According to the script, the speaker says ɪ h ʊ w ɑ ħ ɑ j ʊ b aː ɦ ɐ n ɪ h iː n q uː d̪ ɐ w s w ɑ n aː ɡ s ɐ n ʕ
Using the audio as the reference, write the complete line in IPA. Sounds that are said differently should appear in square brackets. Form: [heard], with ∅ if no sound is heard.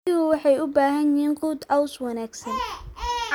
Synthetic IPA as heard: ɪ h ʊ w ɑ ħ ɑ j ʊ b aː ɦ ɐ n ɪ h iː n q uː d̪ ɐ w s w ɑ n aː ɡ s ɐ n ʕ